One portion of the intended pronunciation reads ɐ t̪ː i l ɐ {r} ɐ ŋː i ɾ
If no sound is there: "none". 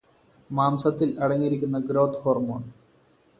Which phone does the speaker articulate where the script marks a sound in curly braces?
ɽ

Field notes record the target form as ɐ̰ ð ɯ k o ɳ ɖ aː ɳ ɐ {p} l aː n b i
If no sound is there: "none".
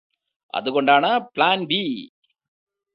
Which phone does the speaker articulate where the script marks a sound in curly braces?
p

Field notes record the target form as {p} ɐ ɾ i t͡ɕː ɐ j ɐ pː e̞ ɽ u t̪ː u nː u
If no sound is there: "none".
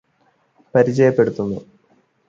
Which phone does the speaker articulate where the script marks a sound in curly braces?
p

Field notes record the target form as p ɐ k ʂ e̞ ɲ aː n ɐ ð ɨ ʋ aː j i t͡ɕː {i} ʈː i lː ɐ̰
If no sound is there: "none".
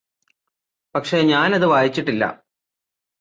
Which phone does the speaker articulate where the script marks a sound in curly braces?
i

